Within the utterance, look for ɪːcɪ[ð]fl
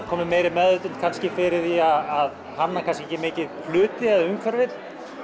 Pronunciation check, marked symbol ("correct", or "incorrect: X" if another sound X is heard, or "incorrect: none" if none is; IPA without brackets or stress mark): correct